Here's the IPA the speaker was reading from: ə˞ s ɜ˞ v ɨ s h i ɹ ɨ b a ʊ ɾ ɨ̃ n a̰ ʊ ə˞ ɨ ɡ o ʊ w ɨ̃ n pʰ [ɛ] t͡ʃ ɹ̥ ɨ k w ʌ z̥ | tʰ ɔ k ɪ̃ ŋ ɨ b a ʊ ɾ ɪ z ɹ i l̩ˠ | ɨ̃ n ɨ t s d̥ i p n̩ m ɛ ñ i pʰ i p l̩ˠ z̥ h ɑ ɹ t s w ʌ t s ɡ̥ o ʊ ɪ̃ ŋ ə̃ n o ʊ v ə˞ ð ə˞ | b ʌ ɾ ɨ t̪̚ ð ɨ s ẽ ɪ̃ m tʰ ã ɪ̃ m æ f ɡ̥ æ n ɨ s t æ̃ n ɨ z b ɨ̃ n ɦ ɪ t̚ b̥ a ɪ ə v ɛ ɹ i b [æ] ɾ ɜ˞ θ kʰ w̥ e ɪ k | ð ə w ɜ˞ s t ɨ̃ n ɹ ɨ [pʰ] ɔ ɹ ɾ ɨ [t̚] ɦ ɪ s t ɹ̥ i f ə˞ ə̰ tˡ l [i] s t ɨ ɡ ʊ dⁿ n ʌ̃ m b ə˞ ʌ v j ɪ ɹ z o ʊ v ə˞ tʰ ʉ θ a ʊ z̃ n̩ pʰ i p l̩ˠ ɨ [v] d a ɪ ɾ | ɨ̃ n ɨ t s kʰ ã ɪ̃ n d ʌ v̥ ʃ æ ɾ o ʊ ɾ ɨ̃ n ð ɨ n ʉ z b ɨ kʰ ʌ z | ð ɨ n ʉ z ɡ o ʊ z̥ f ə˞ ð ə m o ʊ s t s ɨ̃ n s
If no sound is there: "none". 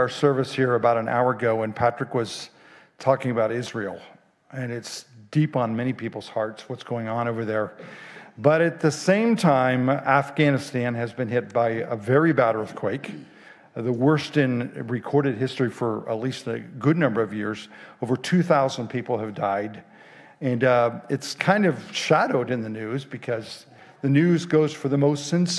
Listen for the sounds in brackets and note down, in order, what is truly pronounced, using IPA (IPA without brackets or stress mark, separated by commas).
æ, æ, kʰ, d̚, i, v